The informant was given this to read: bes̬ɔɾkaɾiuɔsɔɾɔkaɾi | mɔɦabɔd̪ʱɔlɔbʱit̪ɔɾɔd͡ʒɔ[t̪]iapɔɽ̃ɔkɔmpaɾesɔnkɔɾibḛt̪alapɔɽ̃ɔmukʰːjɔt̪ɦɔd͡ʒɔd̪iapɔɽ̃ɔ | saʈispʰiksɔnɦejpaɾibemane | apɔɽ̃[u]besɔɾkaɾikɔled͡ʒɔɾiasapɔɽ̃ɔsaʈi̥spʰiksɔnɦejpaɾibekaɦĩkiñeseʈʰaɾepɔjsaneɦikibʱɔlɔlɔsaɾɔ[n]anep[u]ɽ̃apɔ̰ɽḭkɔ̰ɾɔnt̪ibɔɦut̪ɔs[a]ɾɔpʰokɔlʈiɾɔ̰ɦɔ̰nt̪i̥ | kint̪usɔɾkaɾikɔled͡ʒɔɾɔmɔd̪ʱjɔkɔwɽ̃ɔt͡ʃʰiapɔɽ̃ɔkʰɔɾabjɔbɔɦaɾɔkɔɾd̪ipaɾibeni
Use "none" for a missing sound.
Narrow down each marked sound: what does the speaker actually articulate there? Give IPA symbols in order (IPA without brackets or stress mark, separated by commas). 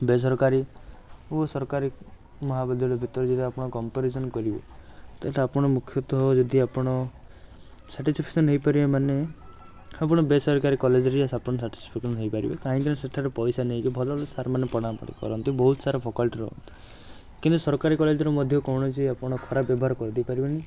d̪, ɔ, m, ɔ, a